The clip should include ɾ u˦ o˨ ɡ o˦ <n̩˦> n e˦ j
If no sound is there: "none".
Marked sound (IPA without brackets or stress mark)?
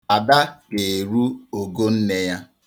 n̩˦